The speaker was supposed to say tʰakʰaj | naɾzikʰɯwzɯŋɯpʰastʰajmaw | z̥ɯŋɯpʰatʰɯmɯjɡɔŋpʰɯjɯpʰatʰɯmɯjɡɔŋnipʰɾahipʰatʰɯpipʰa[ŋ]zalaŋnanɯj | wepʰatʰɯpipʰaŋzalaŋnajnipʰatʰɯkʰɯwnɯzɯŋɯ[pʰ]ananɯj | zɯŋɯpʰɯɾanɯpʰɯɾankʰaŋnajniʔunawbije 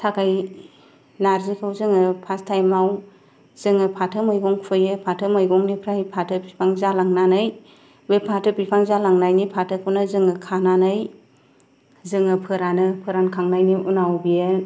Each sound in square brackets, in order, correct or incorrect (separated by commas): correct, incorrect